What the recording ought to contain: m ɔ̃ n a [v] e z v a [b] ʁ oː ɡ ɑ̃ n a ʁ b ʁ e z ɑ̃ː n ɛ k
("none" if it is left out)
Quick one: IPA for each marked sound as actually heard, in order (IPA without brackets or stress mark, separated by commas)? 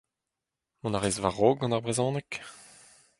ʁ, none